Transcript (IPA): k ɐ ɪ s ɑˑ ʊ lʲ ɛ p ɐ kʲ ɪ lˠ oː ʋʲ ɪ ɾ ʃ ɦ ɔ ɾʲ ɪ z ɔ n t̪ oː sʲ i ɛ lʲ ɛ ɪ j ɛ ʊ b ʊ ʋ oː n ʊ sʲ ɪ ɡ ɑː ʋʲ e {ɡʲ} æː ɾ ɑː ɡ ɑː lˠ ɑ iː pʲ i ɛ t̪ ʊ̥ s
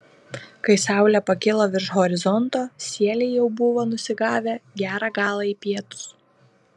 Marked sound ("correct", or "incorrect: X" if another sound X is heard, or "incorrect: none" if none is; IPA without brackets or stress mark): correct